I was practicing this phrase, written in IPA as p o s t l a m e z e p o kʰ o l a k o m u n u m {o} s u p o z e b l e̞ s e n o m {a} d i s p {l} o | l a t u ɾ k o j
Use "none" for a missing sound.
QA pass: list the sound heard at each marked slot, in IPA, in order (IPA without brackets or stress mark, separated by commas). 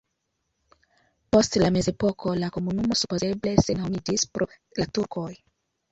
o, i, ɾ